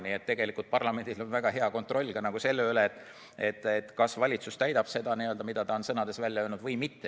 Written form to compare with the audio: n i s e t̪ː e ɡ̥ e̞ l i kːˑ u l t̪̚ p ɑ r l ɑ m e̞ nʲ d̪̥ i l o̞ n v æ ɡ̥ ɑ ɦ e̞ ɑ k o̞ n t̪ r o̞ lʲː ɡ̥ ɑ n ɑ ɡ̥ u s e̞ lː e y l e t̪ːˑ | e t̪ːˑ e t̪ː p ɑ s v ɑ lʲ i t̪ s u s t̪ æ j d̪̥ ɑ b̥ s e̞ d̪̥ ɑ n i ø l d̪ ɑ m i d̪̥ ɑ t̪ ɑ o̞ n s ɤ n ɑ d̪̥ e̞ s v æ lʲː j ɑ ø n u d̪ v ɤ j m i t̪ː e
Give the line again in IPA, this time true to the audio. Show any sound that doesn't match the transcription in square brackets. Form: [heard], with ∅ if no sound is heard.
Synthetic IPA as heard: n i [∅] e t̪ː e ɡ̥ e̞ l i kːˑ u l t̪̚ p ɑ r l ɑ m e̞ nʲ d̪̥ i l o̞ n v æ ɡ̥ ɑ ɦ e̞ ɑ k o̞ n t̪ r o̞ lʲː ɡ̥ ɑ n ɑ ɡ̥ u s e̞ lː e y l e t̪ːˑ | e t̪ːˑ e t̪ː [k] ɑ s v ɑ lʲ i t̪ s u s t̪ æ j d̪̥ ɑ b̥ s e̞ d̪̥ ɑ n i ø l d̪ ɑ m i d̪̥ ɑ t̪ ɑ o̞ n s ɤ n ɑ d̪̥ e̞ s v æ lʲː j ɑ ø n u d̪ v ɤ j m i t̪ː e